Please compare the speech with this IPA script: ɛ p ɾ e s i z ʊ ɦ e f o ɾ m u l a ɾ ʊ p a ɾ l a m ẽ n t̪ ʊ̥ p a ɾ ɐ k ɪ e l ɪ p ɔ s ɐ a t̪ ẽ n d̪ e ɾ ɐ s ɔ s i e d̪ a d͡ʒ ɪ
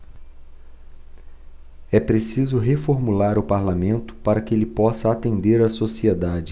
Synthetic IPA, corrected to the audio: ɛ p ɾ e s i z ʊ ɦ e f o ɾ m u l a ɾ ʊ p a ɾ l a m ẽ n t̪ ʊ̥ p a ɾ ɐ k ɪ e l ɪ p ɔ s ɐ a t̪ ẽ n d̪ e ɾ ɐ s o s i e d̪ a d͡ʒ ɪ